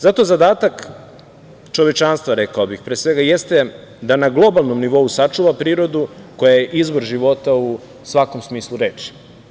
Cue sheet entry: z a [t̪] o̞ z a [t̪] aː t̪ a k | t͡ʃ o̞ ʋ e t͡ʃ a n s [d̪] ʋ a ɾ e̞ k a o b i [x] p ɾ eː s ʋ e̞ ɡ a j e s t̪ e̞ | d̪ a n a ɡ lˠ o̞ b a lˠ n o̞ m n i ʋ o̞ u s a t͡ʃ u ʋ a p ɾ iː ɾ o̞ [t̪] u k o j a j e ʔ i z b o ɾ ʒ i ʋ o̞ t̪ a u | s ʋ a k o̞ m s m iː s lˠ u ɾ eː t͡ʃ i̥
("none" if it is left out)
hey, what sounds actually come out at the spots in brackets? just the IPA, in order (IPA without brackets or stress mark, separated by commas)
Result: t̪, d̪, t̪, x, d̪